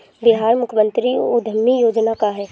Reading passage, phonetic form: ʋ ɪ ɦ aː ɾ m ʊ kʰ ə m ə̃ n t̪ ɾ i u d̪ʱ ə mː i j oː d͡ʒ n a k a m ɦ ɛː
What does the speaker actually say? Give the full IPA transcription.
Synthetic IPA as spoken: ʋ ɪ ɦ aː ɾ m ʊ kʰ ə m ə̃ n t̪ ɾ i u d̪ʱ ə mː i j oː d͡ʒ n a k a ɦ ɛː